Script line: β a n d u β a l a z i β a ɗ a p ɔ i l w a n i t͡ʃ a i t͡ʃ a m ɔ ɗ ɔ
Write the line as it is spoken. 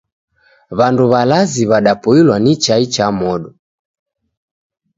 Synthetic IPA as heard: β a n d u β a l a z i β a ɗ a p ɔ i l w a n i t͡ʃ a i t͡ʃ a m ɔ ɗ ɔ